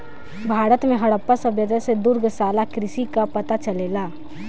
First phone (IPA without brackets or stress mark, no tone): bʱ